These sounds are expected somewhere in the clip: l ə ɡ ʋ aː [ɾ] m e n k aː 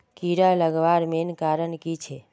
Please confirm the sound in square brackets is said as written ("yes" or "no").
yes